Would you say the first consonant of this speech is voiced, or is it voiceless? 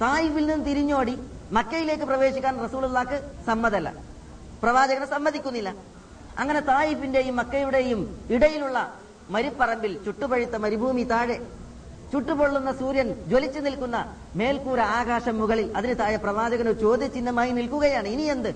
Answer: voiceless